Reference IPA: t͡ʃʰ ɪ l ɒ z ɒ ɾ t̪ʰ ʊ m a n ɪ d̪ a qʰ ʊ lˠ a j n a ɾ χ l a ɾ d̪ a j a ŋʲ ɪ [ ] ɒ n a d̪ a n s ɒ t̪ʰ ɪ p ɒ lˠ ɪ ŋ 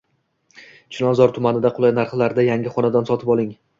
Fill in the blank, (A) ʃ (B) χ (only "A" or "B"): B